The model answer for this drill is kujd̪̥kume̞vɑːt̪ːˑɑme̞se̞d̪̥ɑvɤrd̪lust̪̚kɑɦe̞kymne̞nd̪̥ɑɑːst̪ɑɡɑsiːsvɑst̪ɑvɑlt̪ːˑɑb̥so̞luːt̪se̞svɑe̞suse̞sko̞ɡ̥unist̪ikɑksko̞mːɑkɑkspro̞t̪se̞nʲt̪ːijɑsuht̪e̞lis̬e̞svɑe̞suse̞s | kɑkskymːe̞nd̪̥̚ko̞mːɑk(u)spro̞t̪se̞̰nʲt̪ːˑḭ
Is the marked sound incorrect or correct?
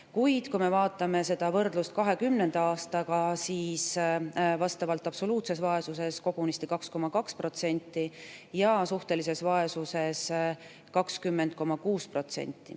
incorrect: uː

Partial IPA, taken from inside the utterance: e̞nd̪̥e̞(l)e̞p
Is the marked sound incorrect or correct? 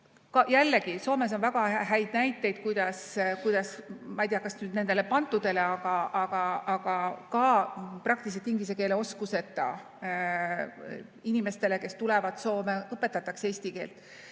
correct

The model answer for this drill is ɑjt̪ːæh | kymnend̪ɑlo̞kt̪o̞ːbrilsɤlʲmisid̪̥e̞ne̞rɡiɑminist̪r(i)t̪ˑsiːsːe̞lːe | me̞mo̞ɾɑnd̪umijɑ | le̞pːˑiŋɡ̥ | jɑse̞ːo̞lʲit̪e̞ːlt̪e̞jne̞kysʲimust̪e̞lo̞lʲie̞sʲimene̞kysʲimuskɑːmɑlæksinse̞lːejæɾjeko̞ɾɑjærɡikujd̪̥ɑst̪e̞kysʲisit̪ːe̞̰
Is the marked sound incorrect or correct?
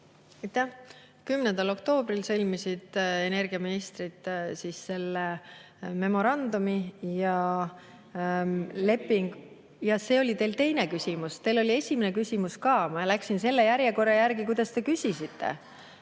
correct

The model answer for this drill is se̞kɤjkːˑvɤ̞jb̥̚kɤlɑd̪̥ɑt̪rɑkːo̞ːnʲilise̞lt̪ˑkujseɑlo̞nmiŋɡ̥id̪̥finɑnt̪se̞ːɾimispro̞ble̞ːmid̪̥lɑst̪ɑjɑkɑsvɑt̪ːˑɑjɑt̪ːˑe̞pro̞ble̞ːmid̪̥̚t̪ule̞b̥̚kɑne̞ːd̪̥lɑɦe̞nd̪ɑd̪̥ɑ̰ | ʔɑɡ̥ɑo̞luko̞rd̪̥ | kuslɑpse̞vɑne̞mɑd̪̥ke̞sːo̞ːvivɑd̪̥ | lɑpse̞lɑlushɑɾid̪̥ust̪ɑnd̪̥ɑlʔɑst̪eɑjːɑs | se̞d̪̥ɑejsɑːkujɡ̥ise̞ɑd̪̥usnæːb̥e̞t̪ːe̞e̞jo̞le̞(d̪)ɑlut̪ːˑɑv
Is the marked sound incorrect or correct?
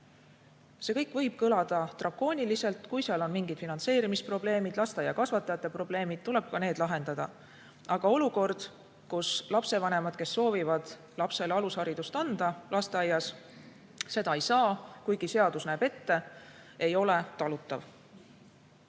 incorrect: t̪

